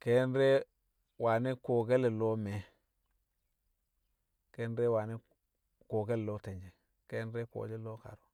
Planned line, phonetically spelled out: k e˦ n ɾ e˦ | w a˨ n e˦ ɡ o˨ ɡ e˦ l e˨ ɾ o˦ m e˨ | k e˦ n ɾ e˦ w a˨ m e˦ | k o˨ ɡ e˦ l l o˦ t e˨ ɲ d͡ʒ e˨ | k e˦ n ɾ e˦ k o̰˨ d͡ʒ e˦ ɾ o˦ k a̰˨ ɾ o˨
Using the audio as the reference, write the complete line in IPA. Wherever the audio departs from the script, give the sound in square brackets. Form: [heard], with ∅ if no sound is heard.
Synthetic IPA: k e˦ n ɾ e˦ | w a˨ n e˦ [k] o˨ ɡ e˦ l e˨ [l] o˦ m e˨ | k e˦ n ɾ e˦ w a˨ [n] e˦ | k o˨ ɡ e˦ l l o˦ t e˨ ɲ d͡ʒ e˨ | k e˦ n ɾ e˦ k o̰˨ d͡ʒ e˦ [l] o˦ k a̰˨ ɾ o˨